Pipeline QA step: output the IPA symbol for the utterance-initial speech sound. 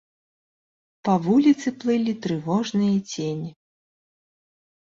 p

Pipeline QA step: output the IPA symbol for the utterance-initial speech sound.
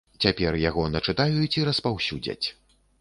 t͡sʲ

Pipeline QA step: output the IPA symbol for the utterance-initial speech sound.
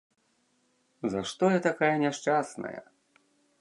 z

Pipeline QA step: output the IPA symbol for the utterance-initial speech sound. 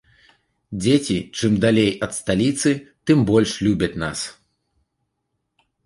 d͡zʲ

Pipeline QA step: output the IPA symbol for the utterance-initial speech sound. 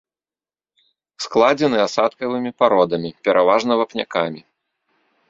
s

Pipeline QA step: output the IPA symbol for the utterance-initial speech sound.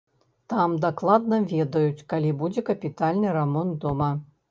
t̪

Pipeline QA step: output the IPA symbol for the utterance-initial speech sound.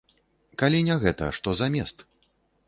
k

